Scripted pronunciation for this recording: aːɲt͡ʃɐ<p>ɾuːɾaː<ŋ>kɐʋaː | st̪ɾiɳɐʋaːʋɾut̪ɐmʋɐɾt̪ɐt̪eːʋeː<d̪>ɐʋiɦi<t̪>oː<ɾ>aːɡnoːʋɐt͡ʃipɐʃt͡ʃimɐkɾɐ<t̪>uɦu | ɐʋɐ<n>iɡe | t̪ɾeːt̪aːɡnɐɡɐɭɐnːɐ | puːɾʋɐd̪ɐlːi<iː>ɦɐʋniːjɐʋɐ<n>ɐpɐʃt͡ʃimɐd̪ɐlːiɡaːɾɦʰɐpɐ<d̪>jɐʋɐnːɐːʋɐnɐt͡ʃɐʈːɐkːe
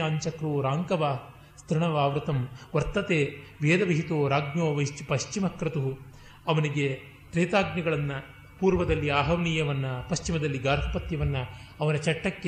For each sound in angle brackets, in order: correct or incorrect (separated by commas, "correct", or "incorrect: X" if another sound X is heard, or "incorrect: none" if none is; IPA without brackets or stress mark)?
incorrect: k, correct, correct, correct, correct, correct, correct, incorrect: aː, incorrect: nː, incorrect: t̪